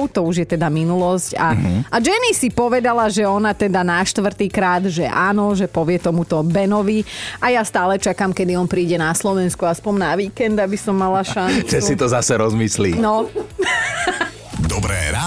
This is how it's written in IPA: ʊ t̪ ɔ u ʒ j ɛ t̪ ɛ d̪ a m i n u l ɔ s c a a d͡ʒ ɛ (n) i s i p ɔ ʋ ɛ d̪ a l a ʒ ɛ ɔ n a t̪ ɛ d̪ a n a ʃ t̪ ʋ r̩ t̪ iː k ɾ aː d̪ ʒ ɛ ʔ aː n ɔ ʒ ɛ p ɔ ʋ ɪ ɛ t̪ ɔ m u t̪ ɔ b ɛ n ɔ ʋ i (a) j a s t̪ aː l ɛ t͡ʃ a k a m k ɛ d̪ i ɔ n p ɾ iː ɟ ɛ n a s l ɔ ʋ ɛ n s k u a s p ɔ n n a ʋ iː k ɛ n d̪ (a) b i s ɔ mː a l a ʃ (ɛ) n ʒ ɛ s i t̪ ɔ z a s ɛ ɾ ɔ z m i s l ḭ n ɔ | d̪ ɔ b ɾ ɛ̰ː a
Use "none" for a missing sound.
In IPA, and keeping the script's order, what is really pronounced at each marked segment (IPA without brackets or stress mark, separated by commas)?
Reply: n, a, a, a